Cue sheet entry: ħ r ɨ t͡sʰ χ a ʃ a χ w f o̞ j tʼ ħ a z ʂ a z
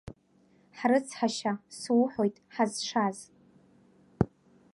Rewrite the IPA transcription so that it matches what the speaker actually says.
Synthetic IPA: ħ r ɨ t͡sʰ ħ a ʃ a s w ħ o̞ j tʼ ħ a z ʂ a z